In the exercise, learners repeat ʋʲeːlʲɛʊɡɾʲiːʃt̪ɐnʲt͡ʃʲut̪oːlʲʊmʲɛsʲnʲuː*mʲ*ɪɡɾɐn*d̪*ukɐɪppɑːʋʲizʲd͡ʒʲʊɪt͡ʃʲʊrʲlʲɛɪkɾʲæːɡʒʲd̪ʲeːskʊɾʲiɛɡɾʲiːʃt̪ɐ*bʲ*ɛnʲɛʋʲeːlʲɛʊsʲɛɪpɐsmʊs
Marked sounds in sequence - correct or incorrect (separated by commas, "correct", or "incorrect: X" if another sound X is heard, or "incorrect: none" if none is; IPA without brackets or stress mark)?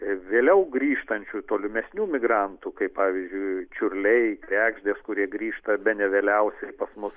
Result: correct, incorrect: t̪, correct